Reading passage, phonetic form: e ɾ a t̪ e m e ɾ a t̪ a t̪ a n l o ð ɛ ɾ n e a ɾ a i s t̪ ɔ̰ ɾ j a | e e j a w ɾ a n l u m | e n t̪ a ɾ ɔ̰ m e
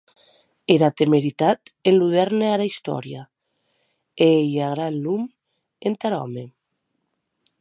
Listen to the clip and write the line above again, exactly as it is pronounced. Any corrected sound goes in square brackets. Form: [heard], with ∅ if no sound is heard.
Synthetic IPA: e ɾ a t̪ e m e ɾ [i] t̪ a t̪ [e] n l [u] ð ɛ ɾ n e a ɾ a i s t̪ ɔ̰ ɾ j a | e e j a [ɣ] ɾ a n l u m | e n t̪ a ɾ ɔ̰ m e